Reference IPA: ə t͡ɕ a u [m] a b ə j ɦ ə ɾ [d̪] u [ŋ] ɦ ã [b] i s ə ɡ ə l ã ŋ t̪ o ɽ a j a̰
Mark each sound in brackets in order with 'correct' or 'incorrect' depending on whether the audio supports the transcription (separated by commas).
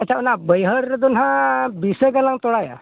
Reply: incorrect, correct, incorrect, correct